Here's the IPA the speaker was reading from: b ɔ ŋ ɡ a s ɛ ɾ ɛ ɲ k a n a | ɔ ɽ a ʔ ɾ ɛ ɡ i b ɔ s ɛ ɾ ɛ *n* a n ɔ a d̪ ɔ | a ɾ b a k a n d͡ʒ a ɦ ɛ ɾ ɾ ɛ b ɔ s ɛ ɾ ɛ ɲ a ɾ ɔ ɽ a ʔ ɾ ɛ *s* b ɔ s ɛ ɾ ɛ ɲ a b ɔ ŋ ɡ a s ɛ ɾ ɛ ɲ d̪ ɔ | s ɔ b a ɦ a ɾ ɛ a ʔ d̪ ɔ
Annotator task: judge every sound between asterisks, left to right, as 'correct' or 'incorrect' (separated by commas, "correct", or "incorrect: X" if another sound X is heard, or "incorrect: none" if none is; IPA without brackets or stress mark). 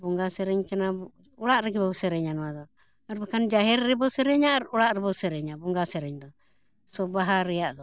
incorrect: ɲ, incorrect: none